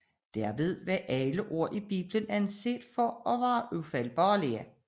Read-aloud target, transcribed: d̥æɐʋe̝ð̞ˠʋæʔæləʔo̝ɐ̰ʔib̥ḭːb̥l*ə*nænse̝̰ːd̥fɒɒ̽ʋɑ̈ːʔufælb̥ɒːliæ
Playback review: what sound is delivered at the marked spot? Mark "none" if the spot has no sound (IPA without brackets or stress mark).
ə